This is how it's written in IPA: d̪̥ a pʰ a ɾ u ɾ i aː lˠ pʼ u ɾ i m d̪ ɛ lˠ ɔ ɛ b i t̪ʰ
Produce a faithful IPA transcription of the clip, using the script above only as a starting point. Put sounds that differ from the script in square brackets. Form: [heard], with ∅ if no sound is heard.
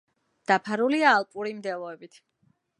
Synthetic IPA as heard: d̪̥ a pʰ a ɾ u [l] i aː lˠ pʼ u ɾ i m d̪ ɛ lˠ ɔ ɛ b i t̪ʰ